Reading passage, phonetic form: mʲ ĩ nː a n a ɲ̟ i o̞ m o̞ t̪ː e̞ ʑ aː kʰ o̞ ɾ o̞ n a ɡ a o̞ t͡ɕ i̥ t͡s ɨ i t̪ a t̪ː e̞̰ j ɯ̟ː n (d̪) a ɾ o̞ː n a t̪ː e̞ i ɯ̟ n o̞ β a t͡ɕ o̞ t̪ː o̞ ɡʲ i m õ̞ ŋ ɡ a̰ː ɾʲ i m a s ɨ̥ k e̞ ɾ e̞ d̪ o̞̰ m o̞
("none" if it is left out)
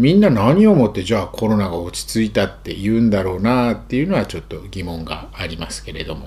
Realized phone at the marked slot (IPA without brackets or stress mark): d̪